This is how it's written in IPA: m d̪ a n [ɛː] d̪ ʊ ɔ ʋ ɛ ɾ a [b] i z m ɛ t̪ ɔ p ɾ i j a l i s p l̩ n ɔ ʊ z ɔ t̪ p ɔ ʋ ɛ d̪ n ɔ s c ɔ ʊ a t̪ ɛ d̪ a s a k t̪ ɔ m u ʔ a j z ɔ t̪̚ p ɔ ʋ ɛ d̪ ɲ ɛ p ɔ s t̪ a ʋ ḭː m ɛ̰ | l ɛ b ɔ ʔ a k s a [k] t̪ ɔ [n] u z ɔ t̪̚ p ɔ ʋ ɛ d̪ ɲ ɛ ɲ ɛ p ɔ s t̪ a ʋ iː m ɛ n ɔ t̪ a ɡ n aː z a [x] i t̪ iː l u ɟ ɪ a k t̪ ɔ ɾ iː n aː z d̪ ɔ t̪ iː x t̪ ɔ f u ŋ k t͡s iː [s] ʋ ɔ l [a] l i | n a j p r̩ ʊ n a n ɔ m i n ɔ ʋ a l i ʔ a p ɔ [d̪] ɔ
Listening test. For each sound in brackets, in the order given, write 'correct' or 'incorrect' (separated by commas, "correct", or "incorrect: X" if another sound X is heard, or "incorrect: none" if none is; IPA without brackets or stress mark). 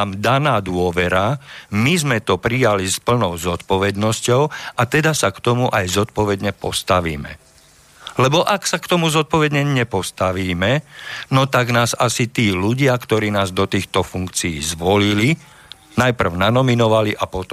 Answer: incorrect: aː, incorrect: m, correct, incorrect: m, incorrect: s, incorrect: z, incorrect: i, incorrect: t̪